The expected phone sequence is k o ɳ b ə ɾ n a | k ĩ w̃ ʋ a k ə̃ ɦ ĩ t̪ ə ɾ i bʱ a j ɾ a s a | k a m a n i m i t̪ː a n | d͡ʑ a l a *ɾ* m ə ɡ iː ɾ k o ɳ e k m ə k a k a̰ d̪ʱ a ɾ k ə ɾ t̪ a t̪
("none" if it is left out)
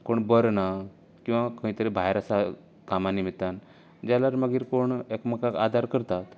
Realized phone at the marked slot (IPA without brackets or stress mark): ɾ